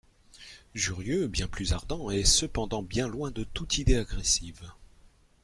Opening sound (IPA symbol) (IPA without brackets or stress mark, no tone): ʒ